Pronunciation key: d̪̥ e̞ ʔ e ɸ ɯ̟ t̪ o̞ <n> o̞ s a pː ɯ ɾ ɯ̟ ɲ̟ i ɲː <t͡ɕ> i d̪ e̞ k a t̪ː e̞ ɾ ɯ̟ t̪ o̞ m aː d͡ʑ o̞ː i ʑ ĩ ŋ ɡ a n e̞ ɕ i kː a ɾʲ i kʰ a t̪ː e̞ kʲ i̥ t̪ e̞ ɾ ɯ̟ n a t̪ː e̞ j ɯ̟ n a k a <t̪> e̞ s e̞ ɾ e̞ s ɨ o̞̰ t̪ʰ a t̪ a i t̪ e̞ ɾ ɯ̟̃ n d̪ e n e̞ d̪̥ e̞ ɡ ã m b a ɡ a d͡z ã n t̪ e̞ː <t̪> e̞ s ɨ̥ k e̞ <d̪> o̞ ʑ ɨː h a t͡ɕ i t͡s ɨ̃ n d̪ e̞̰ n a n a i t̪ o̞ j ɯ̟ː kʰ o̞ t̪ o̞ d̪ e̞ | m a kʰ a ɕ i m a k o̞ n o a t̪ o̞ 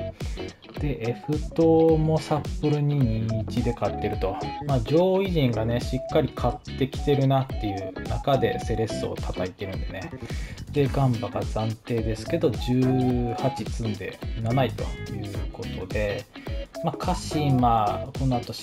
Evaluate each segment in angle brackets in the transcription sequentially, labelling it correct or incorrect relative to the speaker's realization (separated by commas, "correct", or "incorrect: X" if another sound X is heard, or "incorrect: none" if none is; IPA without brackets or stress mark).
incorrect: m, correct, incorrect: d̪, incorrect: d̪, correct